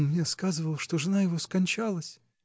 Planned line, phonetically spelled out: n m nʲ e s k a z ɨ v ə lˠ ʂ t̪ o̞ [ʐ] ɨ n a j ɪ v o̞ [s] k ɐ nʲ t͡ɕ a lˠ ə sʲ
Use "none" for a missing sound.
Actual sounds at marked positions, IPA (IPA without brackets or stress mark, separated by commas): ʐ, s